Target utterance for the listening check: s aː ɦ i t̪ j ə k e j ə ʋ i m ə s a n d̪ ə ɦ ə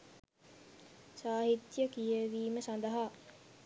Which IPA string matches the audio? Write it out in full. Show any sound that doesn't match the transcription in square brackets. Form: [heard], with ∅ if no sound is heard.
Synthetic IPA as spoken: s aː ɦ i t̪ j ə k [i] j ə ʋ [iː] m ə s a n d̪ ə ɦ [a]